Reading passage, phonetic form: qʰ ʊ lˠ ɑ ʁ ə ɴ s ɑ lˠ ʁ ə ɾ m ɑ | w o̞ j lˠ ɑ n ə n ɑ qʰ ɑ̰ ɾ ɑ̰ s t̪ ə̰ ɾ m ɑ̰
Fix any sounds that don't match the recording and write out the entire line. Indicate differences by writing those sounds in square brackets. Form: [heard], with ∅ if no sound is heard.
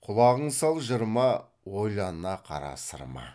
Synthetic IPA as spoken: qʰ ʊ lˠ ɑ ʁ ə ɴ s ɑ lˠ [ʒ] ə ɾ m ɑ | w o̞ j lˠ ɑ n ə n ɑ qʰ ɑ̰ ɾ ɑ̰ s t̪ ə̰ ɾ m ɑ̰